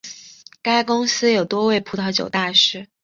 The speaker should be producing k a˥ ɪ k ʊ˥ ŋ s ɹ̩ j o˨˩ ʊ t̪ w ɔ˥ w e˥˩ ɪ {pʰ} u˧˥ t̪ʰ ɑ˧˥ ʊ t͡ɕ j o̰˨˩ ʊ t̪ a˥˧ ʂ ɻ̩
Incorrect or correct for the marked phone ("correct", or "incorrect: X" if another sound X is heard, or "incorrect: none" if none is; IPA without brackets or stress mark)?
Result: correct